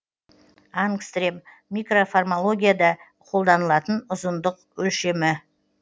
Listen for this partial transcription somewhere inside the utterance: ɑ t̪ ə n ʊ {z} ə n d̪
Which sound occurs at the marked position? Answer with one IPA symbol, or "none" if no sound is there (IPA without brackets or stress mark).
z